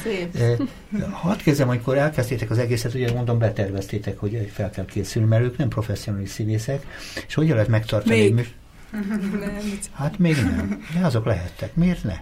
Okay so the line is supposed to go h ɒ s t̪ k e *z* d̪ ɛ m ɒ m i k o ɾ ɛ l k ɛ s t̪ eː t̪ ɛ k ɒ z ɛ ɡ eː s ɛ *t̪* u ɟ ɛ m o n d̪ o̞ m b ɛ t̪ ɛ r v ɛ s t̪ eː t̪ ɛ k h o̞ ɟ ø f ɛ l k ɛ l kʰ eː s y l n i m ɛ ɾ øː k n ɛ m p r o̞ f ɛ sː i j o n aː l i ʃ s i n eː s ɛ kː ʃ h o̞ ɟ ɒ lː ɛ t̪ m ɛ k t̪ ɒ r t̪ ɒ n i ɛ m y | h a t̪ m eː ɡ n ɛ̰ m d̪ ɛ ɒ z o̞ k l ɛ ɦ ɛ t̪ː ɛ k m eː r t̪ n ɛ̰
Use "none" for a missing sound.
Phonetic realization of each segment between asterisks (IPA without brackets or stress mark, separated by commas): z, t̪